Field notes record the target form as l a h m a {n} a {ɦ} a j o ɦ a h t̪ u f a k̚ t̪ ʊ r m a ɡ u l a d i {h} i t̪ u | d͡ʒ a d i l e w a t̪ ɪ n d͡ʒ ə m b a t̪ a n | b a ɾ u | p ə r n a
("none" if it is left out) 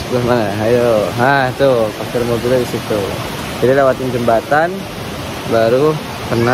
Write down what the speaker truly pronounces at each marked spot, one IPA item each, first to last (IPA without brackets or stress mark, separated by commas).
n, ɦ, s